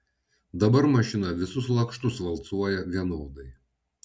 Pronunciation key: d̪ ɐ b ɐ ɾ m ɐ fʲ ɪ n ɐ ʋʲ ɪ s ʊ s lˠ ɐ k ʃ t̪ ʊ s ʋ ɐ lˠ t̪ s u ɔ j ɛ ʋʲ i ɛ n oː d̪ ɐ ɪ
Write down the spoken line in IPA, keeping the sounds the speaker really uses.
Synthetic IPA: d̪ ɐ b ɐ ɾ m ɐ ʃʲ ɪ n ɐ ʋʲ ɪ s ʊ s lˠ ɐ k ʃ t̪ ʊ s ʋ ɐ lˠ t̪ s u ɔ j ɛ ʋʲ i ɛ n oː d̪ ɐ ɪ

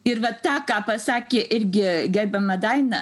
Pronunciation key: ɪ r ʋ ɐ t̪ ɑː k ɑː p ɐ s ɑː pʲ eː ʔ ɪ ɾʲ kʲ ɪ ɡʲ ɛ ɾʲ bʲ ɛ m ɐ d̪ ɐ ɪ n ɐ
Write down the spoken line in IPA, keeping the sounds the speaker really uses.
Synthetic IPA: ɪ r ʋ ɐ t̪ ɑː k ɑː p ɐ s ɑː kʲ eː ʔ ɪ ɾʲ ɡʲ ɪ ɡʲ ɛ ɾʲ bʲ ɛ m ɐ d̪ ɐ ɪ n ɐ

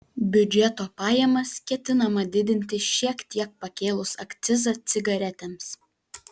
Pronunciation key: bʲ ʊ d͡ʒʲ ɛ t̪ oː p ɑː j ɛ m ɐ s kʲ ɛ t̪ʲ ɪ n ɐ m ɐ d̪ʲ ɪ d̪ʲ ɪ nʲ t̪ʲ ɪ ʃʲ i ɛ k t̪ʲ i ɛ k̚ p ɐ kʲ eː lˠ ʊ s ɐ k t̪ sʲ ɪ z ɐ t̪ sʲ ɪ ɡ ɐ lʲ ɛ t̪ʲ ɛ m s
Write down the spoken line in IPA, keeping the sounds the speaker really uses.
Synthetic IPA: bʲ ʊ d͡ʒʲ ɛ t̪ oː p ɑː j ɛ m ɐ s kʲ ɛ t̪ʲ ɪ n ɐ m ɐ d̪ʲ ɪ d̪ʲ ɪ nʲ t̪ʲ ɪ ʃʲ i ɛ k t̪ʲ i ɛ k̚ p ɐ kʲ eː lˠ ʊ s ɐ k t̪ sʲ ɪ z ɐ t̪ sʲ ɪ ɡ ɐ ɾʲ ɛ t̪ʲ ɛ m s

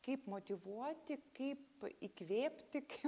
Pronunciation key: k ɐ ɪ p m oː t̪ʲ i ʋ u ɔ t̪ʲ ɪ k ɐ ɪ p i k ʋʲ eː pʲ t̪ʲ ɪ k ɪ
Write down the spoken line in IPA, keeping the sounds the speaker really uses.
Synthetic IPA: k ɐ ɪ p m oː t̪ʲ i ʋ u ɔ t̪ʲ ɪ k ɐ ɪ p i k ʋʲ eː pʲ t̪ʲ ɪ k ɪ

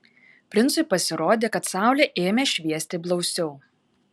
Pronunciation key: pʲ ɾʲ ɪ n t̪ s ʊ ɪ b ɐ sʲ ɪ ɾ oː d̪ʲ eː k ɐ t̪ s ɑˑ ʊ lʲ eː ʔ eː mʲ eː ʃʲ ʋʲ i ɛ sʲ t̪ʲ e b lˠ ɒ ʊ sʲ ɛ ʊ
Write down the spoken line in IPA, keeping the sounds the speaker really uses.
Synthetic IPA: pʲ ɾʲ ɪ n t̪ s ʊ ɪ p ɐ sʲ ɪ ɾ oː d̪ʲ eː k ɐ t̪ s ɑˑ ʊ lʲ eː ʔ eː mʲ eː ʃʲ ʋʲ i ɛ sʲ t̪ʲ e b lˠ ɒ ʊ sʲ ɛ ʊ

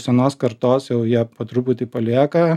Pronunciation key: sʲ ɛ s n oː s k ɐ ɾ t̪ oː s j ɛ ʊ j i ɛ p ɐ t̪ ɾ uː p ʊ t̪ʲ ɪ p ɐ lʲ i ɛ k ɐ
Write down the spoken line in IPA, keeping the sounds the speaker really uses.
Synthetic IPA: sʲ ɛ n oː s k ɐ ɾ t̪ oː s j ɛ ʊ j i ɛ p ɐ t̪ ɾ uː p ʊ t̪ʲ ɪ p ɐ lʲ i ɛ k ɐ

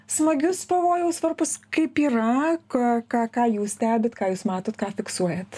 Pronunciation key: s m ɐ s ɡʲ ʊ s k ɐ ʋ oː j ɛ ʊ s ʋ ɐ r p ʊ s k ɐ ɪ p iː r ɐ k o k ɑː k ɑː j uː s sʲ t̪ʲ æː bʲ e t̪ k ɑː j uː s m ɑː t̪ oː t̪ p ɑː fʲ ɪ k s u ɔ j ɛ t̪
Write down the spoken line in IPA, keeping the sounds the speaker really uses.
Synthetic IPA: s m ɐ ɡʲ ʊ s p ɐ ʋ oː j ɛ ʊ s ʋ ɐ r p ʊ s k ɐ ɪ p iː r ɐ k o k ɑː k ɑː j uː s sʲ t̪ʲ æː bʲ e t̪ k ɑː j uː s m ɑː t̪ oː t̪ k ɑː fʲ ɪ k s u ɔ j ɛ t̪

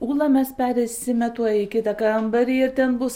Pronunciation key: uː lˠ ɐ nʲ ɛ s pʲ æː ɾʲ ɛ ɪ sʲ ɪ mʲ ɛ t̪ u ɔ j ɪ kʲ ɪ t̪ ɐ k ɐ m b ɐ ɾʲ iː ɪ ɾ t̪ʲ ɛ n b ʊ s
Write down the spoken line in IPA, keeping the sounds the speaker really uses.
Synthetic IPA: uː lˠ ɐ mʲ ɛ s pʲ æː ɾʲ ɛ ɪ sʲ ɪ mʲ ɛ t̪ u ɔ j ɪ kʲ ɪ t̪ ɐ k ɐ m b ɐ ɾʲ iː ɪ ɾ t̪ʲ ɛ n b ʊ s

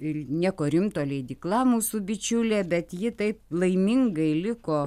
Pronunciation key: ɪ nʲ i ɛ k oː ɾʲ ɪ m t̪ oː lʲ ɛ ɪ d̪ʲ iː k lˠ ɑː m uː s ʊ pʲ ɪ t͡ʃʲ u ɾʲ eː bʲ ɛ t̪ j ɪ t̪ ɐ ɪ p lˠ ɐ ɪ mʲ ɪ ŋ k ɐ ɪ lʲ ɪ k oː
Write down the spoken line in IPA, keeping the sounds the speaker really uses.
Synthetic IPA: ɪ nʲ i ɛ k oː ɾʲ ɪ m t̪ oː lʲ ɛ ɪ d̪ʲ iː k lˠ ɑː m uː s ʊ bʲ ɪ t͡ʃʲ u lʲ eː bʲ ɛ t̪ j ɪ t̪ ɐ ɪ p lˠ ɐ ɪ mʲ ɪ ŋ ɡ ɐ ɪ lʲ ɪ k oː

